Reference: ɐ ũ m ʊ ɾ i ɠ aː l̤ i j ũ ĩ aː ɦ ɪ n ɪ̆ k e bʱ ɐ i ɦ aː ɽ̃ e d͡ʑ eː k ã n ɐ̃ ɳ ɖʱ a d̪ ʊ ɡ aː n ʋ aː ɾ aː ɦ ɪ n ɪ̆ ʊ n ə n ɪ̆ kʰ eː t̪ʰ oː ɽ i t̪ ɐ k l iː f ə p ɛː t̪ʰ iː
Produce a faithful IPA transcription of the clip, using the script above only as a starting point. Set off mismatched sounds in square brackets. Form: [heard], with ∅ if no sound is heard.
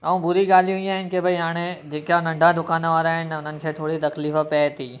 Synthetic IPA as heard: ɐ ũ [b] ʊ ɾ i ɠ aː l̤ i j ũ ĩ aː ɦ ɪ n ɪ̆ k e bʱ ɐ i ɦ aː ɽ̃ e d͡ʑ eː k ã n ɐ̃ ɳ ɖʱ a d̪ ʊ [k] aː n ʋ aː ɾ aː ɦ ɪ n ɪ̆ ʊ n ə n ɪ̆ kʰ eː t̪ʰ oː ɽ i t̪ ɐ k l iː f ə p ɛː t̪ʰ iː

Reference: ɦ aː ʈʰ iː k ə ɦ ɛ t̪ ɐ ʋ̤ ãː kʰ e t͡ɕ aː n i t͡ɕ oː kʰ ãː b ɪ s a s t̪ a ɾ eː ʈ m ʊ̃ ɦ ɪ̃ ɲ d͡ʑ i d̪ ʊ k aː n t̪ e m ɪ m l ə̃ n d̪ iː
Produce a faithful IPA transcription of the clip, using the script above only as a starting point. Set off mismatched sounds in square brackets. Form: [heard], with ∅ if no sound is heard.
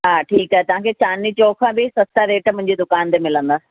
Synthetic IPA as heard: ɦ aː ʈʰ iː k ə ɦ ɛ t̪ ɐ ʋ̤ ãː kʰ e t͡ɕ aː n i t͡ɕ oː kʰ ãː b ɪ s [ɐ] s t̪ a ɾ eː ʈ m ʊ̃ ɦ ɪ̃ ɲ d͡ʑ i d̪ ʊ k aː n t̪ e m ɪ [∅] l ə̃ n d̪ [aː]

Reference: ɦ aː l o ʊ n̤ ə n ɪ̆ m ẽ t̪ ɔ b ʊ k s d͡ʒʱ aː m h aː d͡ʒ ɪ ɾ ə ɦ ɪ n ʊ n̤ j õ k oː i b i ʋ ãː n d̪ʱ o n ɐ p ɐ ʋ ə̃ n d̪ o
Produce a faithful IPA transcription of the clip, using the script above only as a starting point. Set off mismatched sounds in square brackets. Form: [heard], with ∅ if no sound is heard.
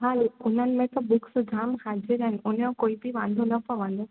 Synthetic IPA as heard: ɦ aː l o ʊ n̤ ə n ɪ̆ m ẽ t̪ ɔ b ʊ k s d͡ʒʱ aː m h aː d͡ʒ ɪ ɾ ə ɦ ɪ n ʊ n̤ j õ k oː i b i ʋ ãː n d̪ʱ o n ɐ p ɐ ʋ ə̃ n d̪ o

